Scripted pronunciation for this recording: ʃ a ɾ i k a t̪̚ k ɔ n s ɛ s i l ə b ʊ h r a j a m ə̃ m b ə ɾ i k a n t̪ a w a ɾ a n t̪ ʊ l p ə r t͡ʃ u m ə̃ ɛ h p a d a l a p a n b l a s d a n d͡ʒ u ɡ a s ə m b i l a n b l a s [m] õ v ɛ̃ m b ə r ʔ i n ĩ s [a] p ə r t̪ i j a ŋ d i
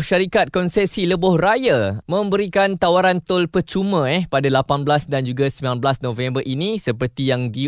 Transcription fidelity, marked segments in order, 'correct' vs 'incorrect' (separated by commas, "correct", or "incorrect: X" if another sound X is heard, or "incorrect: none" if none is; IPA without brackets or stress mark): incorrect: n, incorrect: ə